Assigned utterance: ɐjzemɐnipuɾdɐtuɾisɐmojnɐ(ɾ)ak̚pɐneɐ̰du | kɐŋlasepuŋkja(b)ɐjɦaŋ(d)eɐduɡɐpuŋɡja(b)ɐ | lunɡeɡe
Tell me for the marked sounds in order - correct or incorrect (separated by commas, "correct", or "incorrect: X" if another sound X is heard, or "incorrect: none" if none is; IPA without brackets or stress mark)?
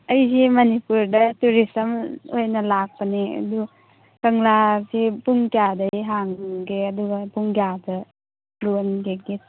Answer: incorrect: l, incorrect: d, incorrect: ɡ, incorrect: d